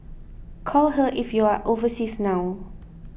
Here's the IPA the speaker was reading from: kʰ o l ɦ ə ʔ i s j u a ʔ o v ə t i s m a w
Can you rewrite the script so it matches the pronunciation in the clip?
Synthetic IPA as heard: kʰ ɔ l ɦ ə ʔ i f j u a ʔ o v ə s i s n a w